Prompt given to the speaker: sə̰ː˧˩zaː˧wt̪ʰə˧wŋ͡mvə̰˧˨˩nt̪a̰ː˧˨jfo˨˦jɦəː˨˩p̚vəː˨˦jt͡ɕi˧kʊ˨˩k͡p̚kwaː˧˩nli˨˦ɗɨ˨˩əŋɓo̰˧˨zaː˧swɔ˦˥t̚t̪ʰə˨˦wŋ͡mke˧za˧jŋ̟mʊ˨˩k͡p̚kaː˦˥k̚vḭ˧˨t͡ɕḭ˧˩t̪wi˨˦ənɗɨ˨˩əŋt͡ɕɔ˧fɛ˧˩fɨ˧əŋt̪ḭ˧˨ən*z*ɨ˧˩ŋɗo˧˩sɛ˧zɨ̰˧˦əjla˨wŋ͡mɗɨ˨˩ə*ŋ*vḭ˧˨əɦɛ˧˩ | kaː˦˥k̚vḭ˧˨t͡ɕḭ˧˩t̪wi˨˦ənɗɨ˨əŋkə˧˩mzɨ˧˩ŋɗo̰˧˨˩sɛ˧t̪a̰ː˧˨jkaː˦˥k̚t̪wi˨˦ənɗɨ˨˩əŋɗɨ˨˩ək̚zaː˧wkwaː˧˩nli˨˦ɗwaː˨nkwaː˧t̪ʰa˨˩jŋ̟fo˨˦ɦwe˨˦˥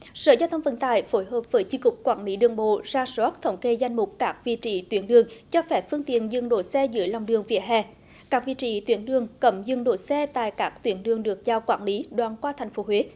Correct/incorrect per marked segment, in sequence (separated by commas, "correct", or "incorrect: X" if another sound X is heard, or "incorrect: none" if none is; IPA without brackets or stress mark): correct, correct